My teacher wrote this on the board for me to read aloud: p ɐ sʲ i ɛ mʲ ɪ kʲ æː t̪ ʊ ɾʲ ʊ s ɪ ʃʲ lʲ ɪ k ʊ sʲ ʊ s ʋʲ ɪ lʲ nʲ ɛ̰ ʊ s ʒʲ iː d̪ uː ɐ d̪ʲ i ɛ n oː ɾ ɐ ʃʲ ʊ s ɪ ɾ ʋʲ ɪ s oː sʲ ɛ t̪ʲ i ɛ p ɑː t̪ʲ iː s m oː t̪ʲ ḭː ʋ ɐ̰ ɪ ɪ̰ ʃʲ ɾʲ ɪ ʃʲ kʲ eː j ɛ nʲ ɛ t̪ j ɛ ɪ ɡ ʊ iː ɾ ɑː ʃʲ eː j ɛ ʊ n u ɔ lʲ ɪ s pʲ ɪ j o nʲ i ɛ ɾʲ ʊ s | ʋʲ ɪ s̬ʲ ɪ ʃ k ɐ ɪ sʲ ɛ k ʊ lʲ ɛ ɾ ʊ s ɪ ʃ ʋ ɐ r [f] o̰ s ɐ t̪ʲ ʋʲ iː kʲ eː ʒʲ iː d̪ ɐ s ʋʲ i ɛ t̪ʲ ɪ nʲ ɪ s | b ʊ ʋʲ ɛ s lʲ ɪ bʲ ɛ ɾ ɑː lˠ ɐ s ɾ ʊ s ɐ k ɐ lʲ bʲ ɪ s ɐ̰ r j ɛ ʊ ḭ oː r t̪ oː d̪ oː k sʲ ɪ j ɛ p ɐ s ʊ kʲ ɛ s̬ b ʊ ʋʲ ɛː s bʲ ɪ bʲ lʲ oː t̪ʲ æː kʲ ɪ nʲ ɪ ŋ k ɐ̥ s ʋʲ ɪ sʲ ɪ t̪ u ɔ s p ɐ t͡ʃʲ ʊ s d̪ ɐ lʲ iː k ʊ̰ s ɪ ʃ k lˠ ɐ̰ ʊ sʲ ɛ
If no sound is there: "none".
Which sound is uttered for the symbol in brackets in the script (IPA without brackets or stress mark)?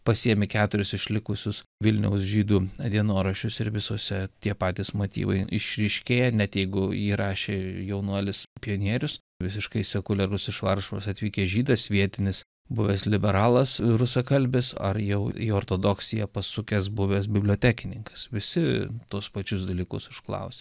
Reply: ʃ